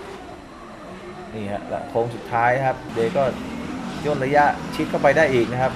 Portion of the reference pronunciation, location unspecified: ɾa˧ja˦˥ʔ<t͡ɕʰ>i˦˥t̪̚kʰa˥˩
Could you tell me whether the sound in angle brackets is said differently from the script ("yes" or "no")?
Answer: no